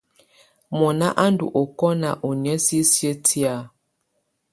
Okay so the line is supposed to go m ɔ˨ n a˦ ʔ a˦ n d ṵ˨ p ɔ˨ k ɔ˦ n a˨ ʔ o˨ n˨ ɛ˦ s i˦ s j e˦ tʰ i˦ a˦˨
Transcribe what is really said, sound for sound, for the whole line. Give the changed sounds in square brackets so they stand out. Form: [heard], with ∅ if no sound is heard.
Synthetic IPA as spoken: m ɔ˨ n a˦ ʔ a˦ n d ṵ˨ [ʔ] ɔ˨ k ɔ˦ n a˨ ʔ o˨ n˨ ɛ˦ s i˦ s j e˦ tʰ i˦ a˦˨